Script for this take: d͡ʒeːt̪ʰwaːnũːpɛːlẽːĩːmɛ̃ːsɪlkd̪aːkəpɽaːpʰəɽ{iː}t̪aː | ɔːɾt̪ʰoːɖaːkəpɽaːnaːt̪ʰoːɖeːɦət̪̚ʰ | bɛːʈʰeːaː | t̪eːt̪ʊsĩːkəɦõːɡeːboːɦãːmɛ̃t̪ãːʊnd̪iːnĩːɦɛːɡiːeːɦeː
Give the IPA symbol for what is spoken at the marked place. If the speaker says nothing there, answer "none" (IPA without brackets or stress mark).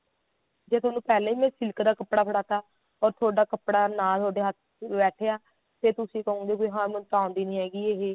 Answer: aː